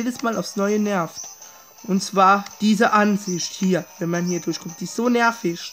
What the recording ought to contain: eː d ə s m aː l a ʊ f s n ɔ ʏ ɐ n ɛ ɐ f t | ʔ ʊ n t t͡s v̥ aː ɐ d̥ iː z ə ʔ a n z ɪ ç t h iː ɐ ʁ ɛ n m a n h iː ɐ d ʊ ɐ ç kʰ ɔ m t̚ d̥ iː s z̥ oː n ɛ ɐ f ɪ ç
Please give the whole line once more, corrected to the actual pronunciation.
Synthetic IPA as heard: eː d ə s m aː l a ʊ f s n ɔ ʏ ə n ɛ ɐ f t | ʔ ʊ n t t͡s v̥ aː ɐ d̥ iː z ə ʔ a n z ɪ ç t h iː ɐ v ɛ n m a n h iː ɐ d ʊ ɐ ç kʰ ɔ m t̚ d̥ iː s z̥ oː n ɛ ɐ f ɪ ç